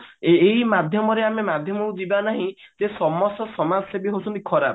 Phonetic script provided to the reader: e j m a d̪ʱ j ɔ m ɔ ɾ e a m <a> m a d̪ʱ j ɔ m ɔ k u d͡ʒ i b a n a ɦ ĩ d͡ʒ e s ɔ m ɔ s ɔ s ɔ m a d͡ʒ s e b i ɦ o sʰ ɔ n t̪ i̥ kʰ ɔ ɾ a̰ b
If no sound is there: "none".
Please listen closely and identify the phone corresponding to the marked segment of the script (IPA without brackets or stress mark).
e